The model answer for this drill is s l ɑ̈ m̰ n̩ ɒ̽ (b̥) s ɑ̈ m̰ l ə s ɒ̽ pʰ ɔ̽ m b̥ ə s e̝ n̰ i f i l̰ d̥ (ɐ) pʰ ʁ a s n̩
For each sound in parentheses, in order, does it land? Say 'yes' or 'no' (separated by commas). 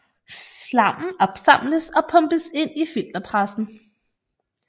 yes, yes